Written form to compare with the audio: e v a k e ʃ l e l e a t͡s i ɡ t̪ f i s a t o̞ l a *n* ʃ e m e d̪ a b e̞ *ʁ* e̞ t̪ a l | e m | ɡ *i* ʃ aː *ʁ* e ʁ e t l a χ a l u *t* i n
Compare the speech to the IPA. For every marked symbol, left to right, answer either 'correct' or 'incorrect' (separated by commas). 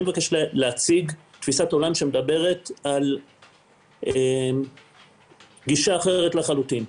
incorrect, correct, correct, incorrect, correct